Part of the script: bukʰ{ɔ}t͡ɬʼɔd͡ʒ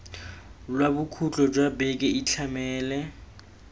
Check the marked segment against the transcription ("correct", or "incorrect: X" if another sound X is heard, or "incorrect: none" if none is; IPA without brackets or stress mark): incorrect: u